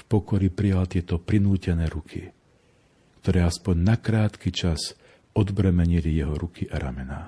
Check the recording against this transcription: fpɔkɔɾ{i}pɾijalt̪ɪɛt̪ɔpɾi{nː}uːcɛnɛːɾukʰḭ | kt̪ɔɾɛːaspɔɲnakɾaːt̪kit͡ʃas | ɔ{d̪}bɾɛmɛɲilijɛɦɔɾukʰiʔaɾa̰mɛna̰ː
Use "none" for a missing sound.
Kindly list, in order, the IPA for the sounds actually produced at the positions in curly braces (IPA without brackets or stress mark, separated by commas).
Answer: i, n, d̪